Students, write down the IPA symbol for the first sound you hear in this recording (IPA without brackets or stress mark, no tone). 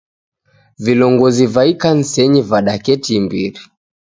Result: v